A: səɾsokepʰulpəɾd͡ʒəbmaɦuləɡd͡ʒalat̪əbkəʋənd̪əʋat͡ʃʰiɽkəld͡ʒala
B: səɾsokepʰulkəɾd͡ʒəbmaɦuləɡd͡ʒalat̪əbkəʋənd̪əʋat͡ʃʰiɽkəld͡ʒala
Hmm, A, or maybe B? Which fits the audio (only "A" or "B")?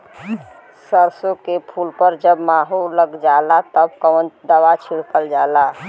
A